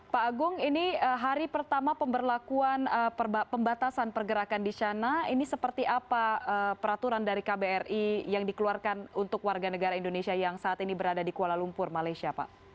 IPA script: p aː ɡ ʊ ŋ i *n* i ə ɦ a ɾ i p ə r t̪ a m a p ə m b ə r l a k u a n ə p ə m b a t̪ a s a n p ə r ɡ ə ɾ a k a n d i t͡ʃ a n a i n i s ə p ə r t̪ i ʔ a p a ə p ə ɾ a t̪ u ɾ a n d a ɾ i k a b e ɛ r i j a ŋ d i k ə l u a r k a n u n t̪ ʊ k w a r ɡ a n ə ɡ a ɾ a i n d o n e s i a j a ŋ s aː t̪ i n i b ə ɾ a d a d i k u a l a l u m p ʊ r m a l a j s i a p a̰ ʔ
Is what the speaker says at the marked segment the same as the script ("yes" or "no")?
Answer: yes